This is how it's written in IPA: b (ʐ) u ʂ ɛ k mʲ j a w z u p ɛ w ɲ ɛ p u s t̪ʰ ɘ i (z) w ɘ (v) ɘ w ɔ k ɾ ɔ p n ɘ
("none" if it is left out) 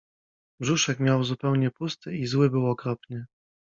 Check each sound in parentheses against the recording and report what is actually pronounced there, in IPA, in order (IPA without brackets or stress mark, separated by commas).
ʐ, z, b